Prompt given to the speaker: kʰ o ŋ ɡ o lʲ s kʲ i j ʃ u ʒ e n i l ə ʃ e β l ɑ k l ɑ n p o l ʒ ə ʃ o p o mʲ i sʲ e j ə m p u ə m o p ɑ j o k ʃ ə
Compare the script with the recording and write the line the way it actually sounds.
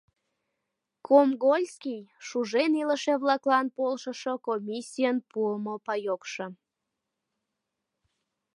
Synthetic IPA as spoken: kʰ o m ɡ o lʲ s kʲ i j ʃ u ʒ e n i l ə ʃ e β l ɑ k l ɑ n p o l ʃ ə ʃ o k o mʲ i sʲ i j ə n p u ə m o p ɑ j o k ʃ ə

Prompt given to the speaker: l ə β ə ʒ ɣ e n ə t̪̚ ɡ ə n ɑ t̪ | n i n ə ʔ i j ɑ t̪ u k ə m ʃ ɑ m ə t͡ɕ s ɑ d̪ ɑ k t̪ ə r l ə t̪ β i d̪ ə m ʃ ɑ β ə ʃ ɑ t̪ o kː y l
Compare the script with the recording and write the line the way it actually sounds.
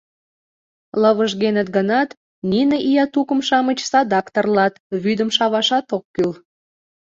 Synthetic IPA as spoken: l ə β ə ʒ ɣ e n ə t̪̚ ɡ ə n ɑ t̪ | n i n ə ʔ i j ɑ t̪ u k ə m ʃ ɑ m ə t͡ɕ s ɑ d̪ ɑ k t̪ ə r l ɑ t̪ β y d̪ ə m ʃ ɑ β ɑ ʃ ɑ t̪ o kː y l

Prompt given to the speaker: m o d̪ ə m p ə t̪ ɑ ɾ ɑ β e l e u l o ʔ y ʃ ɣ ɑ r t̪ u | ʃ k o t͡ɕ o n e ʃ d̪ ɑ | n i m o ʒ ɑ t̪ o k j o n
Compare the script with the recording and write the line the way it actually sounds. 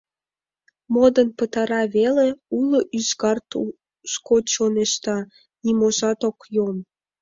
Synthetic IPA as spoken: m o d̪ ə n p ə t̪ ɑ ɾ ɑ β e l e u l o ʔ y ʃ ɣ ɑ r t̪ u | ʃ k o t͡ɕ o n e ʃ t̪ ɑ | n i m o ʒ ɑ t̪ o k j o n

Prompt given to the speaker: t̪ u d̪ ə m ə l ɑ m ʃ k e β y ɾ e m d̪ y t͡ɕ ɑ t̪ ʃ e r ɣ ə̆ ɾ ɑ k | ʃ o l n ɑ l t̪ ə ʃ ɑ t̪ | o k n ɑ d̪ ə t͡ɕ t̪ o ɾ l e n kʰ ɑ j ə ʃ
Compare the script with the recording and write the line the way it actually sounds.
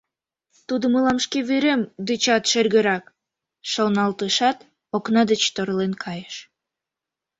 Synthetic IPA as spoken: t̪ u d̪ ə m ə l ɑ m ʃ k e β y ɾ e m d̪ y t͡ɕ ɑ t̪ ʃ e r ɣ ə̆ ɾ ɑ k | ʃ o l n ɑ l t̪ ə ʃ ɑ t̪ | o k n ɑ d̪ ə t͡ɕ t̪ o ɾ l e n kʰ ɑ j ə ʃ

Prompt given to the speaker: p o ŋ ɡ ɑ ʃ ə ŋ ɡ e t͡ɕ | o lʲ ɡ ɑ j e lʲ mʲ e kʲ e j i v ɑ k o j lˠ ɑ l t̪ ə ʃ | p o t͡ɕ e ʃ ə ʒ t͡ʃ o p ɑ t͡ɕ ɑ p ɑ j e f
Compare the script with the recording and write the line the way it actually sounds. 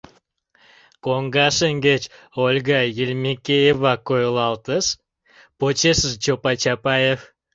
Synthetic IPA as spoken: k o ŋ ɡ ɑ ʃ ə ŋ ɡ e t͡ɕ | o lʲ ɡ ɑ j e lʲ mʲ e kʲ e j e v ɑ k o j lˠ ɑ l t̪ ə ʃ | p o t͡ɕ e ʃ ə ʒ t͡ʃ o p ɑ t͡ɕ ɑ p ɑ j e f

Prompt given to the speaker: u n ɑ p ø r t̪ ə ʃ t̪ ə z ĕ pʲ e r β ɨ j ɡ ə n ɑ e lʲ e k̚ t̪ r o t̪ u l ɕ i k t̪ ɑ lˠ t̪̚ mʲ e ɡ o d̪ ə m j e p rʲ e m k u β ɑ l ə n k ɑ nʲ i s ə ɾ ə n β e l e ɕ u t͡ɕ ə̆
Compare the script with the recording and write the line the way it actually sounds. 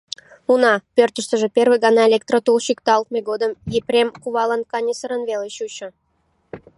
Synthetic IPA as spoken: u n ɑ p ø r t̪ ə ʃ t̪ ə ʒ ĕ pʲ e r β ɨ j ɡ ɑ n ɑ e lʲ e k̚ t̪ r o t̪ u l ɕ i k t̪ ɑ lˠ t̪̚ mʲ e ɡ o d̪ ə m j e p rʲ e m k u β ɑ l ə n k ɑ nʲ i s ə ɾ ə n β e l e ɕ u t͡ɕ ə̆

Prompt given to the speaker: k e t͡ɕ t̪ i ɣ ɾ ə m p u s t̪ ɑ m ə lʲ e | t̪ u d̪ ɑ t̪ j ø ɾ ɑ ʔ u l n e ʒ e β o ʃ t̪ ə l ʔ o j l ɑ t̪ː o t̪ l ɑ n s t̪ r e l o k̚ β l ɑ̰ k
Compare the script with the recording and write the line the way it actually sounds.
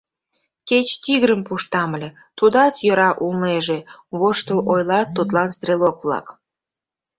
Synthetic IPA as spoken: k e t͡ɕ t̪ i ɣ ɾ ə m p u ʃ t̪ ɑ m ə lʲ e | t̪ u d̪ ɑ t̪ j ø ɾ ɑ ʔ u l n e ʒ e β o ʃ t̪ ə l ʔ o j l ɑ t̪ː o t̪ l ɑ n s t̪ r e l o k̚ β l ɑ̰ k

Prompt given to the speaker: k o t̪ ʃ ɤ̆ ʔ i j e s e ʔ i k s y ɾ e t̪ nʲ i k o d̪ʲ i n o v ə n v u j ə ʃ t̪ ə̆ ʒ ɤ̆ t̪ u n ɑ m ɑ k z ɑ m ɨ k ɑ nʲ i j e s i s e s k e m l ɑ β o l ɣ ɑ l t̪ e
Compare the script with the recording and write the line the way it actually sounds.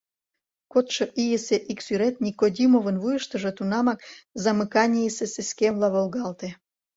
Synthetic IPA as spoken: k o t̪ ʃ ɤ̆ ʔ i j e s e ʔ i k s y ɾ e t̪ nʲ i k o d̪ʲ i m o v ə n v u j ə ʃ t̪ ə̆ ʒ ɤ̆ t̪ u n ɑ m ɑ k z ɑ m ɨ k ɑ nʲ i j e s e s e s k e m l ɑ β o l ɣ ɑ l t̪ e

